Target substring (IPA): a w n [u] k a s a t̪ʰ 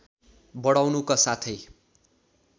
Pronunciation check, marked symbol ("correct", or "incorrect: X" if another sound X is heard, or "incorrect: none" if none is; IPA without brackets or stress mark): correct